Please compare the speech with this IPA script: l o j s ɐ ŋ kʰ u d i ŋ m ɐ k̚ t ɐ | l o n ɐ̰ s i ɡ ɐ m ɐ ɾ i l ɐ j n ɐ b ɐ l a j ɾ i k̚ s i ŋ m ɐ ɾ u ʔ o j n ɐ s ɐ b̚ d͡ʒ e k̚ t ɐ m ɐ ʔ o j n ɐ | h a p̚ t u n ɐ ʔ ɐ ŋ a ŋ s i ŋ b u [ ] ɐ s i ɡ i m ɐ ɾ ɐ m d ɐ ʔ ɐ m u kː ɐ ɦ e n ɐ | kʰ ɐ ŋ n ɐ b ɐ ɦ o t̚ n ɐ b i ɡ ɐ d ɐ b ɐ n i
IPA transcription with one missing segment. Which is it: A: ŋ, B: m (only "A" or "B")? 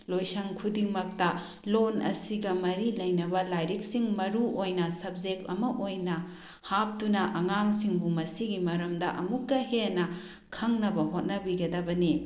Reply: B